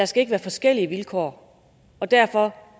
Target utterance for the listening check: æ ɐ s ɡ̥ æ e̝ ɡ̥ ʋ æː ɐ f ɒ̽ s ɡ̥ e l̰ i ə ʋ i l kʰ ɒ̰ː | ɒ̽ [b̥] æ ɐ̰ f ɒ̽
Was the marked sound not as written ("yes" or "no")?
yes